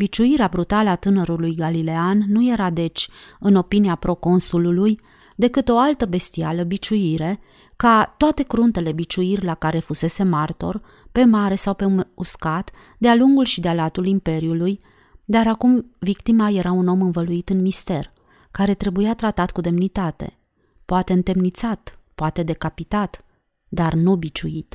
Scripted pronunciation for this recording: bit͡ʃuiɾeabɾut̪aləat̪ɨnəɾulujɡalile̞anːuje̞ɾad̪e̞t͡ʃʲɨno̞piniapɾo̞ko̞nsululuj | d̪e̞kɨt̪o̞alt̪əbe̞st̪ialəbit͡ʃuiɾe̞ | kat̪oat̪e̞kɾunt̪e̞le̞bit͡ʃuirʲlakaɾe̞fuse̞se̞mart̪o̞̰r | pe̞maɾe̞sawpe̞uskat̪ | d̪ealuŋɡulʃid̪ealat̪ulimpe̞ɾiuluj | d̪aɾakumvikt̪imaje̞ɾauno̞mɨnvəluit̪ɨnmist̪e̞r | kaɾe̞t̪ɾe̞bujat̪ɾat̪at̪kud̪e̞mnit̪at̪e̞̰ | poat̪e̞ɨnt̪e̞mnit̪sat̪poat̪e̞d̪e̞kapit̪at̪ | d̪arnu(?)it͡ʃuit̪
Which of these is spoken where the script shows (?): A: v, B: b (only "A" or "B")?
B